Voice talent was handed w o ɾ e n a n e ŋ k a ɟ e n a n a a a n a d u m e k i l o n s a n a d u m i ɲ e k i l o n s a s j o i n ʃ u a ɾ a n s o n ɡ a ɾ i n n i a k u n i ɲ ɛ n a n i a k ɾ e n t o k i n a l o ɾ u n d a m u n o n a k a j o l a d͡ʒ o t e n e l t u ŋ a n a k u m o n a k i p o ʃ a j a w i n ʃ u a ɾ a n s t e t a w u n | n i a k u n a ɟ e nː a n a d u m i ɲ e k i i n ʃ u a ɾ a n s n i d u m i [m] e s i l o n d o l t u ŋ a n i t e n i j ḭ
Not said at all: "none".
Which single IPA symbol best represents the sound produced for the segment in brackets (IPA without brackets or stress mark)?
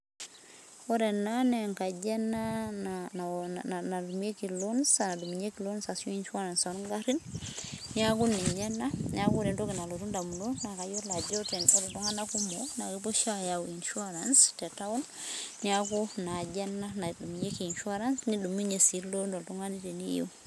ɲ